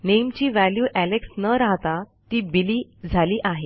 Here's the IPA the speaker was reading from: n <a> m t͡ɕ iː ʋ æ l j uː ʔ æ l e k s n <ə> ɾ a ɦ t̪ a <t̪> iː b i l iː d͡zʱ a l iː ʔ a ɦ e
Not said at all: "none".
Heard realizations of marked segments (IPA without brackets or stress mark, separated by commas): e, ə, t̪